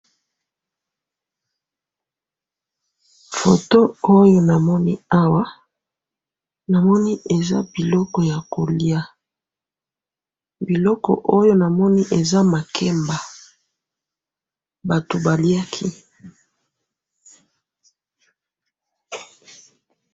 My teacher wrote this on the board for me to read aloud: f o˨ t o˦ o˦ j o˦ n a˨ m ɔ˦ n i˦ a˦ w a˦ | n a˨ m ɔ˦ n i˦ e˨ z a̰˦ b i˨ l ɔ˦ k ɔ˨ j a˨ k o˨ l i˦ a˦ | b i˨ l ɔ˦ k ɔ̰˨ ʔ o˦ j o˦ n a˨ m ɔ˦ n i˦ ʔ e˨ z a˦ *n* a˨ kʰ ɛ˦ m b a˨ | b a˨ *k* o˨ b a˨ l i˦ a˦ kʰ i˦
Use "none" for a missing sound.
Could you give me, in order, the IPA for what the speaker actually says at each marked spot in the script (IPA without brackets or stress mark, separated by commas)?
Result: m, t